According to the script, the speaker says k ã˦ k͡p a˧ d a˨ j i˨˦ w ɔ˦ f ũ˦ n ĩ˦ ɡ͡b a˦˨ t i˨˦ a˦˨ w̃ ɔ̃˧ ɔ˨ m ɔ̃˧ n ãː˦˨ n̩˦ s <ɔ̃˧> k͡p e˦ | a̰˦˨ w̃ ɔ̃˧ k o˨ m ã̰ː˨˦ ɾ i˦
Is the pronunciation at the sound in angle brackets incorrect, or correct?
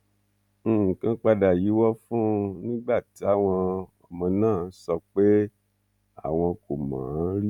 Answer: incorrect